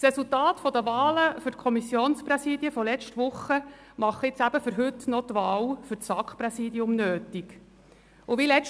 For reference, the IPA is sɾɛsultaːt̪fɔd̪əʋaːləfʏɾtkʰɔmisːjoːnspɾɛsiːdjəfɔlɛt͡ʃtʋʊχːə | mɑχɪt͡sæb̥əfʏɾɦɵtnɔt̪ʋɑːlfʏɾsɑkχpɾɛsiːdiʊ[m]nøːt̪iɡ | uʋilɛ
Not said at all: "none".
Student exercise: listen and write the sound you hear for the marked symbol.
m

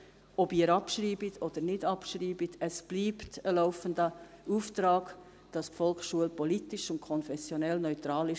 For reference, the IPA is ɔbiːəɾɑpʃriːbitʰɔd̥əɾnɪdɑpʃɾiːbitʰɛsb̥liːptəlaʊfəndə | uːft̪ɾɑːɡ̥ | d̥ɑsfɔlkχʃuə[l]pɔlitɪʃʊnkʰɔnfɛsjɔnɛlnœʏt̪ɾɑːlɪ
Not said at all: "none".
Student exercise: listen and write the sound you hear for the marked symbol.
l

